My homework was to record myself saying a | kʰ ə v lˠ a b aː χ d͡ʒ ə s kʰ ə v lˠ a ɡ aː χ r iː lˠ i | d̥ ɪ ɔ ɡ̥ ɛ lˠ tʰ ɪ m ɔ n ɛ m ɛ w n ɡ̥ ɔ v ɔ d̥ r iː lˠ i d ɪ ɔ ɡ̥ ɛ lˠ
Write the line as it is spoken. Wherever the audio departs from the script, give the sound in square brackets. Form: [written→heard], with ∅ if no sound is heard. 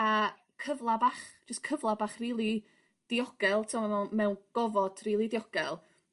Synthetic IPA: a | kʰ ə v lˠ a b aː χ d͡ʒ ə s kʰ ə v lˠ a [ɡ→b] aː χ r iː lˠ i | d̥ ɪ ɔ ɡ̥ ɛ lˠ tʰ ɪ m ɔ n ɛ m ɛ w n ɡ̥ ɔ v ɔ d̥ r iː lˠ i d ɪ ɔ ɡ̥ ɛ lˠ